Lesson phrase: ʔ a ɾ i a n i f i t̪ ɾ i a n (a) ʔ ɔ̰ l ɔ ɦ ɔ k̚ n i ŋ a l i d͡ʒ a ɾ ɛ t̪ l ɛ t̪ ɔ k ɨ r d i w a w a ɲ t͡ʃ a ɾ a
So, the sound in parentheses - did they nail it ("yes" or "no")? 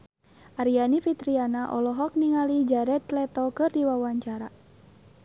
yes